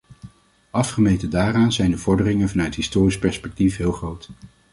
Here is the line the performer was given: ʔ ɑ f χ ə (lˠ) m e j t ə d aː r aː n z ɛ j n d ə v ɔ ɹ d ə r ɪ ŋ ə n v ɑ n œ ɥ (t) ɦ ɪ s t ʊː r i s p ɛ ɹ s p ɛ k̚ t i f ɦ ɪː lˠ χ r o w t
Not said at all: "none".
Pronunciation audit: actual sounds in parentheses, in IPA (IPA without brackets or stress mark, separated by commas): none, t